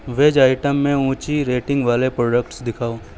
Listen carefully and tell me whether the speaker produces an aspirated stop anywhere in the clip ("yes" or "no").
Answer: yes